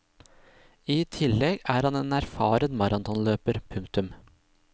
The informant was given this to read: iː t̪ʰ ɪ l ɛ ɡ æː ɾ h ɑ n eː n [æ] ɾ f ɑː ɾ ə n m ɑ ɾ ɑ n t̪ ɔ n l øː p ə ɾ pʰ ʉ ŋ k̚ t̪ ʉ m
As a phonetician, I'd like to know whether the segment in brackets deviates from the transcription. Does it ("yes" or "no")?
no